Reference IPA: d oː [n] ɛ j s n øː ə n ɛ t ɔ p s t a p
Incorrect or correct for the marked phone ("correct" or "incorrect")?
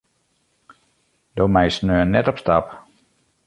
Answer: incorrect